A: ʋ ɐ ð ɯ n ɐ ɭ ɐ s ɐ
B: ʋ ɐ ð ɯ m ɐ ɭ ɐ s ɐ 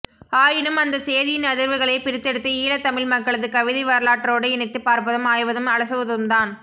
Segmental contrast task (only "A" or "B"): B